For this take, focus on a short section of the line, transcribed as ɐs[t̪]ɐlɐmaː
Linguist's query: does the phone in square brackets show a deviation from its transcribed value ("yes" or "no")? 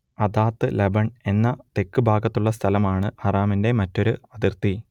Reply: yes